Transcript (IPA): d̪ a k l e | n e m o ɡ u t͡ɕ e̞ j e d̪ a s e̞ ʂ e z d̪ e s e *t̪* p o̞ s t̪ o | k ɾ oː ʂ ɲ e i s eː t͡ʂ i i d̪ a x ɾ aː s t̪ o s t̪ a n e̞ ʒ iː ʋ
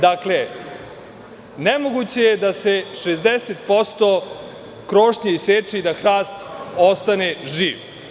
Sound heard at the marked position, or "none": t̪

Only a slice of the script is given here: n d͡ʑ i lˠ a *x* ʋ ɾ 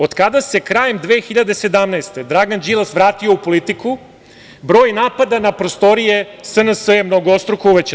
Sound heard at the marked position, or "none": s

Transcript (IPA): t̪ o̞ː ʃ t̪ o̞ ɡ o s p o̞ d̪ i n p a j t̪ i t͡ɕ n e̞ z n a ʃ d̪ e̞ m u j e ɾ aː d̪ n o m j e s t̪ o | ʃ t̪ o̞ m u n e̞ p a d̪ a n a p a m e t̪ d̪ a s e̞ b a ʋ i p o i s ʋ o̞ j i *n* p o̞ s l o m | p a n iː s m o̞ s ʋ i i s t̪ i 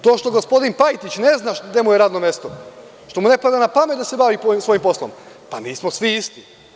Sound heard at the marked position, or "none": m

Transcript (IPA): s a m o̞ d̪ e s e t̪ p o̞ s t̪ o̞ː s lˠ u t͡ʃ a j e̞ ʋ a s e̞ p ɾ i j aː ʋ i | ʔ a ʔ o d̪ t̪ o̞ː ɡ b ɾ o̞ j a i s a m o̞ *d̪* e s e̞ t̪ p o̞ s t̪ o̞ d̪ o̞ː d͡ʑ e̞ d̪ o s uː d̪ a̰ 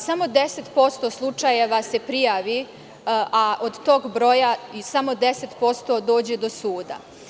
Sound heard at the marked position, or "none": d̪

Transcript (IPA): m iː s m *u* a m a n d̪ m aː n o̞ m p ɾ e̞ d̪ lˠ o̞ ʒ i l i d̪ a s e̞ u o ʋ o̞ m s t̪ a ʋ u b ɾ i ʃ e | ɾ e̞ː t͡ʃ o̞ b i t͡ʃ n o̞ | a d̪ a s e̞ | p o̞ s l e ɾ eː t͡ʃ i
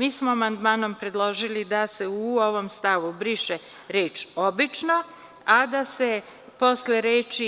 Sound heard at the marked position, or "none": o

